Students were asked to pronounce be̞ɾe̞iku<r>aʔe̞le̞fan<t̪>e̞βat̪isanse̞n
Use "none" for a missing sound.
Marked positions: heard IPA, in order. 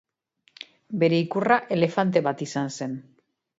r, t̪

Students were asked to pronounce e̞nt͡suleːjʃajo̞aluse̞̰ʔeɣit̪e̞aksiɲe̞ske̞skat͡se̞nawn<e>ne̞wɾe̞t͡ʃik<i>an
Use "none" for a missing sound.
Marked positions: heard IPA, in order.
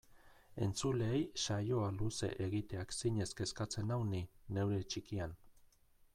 i, i

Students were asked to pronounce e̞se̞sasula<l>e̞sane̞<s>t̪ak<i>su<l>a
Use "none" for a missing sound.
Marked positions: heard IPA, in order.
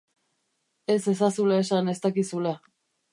none, s, i, l

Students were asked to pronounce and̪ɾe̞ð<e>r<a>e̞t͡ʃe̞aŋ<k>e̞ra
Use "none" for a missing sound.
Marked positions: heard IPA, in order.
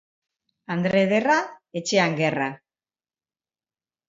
e, a, ɡ

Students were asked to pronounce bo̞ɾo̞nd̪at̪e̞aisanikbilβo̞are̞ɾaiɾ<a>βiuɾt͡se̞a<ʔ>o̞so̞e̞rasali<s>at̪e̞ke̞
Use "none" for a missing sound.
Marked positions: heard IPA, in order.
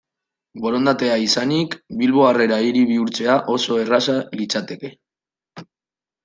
i, ʔ, t͡s

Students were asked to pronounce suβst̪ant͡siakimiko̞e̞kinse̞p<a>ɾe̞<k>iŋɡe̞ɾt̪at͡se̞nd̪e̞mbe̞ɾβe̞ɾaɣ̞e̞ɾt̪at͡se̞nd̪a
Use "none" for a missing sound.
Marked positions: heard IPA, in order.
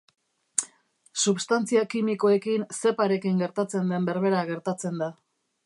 a, k

